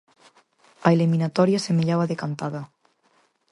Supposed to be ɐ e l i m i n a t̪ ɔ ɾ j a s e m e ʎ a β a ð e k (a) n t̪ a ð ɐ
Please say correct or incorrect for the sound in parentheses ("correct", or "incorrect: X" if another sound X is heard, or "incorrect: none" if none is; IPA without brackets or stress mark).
correct